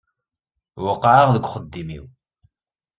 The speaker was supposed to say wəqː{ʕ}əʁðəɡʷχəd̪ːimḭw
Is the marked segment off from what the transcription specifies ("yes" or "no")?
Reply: no